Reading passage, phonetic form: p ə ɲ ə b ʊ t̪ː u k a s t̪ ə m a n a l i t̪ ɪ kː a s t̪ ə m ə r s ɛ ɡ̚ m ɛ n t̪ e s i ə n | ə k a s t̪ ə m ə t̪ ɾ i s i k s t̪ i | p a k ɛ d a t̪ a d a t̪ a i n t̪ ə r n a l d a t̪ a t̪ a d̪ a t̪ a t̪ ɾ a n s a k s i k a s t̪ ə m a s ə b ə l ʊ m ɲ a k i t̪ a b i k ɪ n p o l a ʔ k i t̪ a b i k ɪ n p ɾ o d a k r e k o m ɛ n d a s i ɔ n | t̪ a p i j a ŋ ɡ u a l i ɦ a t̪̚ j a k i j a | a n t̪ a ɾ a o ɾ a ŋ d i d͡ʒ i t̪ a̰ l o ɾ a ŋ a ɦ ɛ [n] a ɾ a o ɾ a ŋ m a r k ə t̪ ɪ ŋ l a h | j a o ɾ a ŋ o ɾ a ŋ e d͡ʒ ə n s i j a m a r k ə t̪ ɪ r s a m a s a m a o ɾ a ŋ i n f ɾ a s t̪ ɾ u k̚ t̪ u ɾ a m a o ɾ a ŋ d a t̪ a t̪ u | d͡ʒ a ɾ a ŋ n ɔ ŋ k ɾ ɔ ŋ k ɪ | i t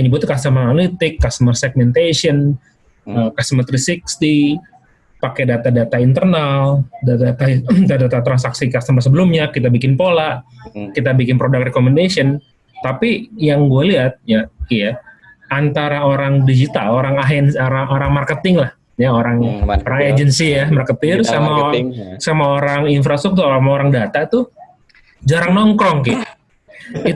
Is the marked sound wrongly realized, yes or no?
no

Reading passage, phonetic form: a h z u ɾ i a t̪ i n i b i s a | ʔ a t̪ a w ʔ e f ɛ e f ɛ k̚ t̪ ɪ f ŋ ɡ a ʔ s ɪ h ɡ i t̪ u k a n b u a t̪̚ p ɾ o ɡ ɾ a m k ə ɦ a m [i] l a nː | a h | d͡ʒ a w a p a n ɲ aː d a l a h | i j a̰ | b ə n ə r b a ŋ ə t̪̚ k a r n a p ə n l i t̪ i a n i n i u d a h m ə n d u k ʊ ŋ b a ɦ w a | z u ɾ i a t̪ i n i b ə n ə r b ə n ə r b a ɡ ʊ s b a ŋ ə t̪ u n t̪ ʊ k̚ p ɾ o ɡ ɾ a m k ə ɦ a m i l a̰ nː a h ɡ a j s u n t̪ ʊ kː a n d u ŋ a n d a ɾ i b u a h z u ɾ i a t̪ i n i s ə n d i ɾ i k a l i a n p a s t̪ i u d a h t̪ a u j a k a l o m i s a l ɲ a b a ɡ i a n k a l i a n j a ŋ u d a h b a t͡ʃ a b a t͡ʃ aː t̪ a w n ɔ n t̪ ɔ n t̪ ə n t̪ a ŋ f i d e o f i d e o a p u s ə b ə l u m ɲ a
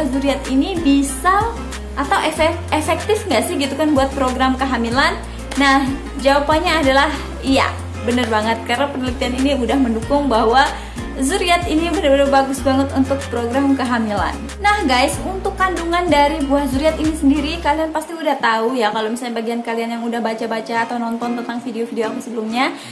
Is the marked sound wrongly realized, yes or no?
no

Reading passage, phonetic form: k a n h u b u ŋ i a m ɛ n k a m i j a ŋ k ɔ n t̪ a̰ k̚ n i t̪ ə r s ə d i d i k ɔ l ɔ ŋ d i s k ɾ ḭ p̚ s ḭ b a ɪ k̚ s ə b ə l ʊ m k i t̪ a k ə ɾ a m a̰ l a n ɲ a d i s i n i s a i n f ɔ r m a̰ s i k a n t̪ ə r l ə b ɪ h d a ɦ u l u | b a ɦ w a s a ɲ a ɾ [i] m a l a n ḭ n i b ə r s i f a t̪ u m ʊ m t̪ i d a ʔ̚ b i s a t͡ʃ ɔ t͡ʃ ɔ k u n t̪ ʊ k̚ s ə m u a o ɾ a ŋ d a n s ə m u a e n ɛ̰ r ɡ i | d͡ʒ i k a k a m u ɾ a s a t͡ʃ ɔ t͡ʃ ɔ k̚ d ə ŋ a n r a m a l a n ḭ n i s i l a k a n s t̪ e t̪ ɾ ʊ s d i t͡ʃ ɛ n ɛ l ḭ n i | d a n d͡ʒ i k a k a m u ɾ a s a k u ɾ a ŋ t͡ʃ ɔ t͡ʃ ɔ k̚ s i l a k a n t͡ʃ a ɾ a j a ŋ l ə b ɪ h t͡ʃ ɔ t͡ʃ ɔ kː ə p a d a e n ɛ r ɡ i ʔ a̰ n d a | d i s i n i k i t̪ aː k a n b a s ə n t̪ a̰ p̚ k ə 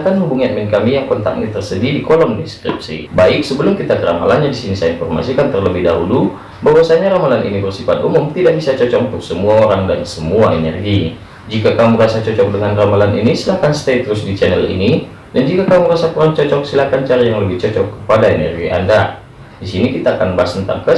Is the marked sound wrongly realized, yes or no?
yes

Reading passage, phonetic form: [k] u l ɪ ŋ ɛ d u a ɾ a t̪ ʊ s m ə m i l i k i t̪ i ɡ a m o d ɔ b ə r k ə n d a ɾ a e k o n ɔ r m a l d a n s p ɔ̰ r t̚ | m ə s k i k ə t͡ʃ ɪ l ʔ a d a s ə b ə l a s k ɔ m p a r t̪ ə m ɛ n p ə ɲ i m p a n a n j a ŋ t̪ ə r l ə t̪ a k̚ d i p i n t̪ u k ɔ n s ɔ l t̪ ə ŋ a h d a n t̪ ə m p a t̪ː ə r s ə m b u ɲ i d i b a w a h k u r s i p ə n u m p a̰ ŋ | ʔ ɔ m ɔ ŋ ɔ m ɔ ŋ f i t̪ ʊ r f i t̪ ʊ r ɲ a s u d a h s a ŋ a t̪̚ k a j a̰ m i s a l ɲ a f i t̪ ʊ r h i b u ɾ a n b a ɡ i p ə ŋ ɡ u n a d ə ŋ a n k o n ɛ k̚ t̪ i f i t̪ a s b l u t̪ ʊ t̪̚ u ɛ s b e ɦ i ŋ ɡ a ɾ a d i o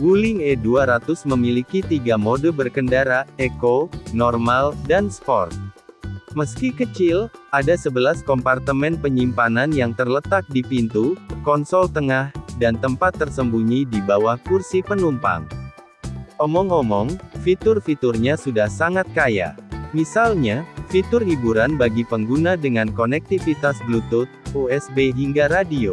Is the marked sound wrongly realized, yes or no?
yes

